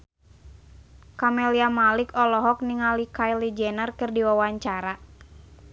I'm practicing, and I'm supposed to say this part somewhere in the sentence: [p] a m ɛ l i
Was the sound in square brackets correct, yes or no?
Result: no